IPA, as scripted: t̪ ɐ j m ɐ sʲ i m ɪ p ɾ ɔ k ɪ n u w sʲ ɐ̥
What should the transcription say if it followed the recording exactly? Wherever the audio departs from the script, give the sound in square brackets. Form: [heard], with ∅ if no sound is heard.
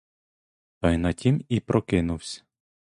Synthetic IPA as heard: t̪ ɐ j [n] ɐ [tʲ] i m [i] p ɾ ɔ k ɪ n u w sʲ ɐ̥